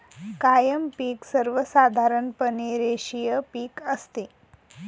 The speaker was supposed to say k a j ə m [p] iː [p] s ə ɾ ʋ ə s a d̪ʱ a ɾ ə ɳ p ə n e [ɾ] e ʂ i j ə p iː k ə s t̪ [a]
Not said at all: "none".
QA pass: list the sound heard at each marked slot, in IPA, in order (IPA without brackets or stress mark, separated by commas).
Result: p, k, ɾ, e